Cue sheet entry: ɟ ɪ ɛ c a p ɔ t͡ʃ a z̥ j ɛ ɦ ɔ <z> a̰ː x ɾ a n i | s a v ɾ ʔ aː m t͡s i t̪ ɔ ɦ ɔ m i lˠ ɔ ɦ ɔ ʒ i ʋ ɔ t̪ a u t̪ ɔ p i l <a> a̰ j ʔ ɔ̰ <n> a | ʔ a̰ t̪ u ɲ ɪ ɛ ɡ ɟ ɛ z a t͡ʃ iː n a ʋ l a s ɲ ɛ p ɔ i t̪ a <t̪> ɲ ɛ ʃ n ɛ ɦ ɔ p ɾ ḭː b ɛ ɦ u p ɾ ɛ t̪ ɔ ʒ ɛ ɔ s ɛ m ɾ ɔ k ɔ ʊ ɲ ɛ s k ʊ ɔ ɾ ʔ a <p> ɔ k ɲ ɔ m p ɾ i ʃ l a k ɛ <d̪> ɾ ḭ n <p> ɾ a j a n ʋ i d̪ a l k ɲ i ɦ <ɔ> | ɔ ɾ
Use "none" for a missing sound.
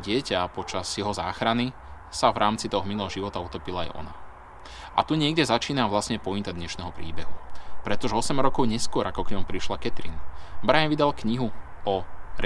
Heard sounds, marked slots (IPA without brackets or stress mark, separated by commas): z, a, n, d̪, k, t̪, b, u